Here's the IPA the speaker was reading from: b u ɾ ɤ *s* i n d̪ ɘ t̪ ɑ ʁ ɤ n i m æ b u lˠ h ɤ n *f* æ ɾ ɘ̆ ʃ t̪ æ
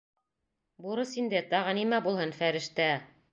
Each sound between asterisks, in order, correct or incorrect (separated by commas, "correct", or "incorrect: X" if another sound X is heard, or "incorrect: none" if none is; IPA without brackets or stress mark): correct, correct